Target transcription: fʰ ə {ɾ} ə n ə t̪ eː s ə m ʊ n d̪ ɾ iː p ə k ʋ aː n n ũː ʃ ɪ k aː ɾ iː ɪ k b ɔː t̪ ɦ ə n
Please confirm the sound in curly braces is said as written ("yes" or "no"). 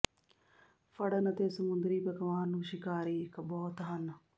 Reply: no